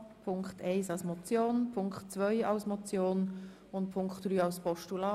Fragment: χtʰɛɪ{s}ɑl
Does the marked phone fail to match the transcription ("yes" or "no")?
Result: no